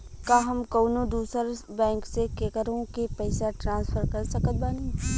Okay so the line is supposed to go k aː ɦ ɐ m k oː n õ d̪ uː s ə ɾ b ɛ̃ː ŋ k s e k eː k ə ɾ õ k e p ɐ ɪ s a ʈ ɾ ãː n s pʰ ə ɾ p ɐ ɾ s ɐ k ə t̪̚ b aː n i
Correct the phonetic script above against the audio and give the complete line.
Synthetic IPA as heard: k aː ɦ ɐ m k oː n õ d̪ uː s ə ɾ b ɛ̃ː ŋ k s e k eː k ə ɾ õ k e p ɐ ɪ s a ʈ ɾ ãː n s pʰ ə ɾ k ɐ ɾ s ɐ k ə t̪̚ b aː n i